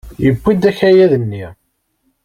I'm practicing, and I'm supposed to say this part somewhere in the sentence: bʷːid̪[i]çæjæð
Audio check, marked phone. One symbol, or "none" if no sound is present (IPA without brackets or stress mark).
æ